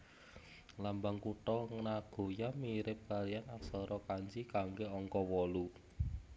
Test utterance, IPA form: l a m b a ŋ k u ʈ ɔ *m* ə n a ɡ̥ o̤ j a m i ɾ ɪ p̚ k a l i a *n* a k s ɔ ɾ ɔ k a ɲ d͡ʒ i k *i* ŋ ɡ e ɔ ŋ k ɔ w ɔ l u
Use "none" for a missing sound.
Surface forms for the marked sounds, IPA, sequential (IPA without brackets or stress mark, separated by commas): ŋ, n, a